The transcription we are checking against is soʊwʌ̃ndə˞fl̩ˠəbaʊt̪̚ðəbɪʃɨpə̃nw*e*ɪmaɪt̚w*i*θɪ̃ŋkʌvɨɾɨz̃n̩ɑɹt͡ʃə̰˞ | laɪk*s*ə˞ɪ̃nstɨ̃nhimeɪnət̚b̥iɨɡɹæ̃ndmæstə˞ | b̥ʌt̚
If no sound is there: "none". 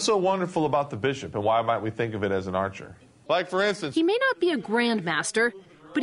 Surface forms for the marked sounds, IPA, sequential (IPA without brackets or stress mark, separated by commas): a, i, f